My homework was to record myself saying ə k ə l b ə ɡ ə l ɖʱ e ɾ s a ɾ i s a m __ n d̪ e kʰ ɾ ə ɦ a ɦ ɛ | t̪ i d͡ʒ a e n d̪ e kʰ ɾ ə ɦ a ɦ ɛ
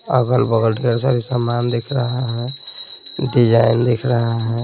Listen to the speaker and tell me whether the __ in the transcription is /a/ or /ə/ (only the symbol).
a